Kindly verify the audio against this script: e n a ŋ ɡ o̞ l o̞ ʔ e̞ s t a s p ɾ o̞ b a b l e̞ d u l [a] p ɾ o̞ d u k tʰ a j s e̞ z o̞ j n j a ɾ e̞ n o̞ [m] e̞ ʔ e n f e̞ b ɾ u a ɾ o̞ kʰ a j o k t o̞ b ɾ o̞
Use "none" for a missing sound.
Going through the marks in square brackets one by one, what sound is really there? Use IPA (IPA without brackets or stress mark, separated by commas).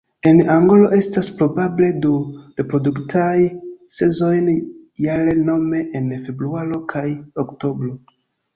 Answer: e, m